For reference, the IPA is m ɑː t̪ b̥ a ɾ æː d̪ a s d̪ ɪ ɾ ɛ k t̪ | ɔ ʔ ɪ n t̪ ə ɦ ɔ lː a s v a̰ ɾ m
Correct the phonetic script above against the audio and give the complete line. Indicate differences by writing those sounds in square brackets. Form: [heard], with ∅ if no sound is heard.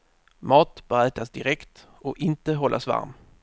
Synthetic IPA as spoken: m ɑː t̪ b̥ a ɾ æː [t̪] a s d̪ ɪ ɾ ɛ k t̪ | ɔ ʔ ɪ n t̪ ə ɦ ɔ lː a s v a̰ ɾ m